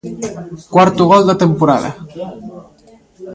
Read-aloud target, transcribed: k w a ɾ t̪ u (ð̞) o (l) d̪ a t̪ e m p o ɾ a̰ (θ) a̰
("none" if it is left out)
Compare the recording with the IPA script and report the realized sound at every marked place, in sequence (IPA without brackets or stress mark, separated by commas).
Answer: ɣ̞, l, ð